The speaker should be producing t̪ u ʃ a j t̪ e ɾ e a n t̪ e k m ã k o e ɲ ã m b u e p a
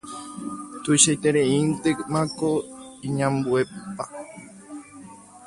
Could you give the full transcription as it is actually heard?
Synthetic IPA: t̪ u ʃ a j t̪ e ɾ e i n t̪ e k m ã k o i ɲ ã m b u e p a